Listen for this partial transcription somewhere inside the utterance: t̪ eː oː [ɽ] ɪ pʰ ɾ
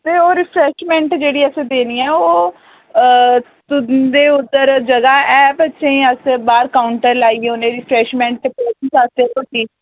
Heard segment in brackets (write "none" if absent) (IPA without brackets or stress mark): ɾ